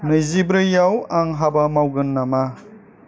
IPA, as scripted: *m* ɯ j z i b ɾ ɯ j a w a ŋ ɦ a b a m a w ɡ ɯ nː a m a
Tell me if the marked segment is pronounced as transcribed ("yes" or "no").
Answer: no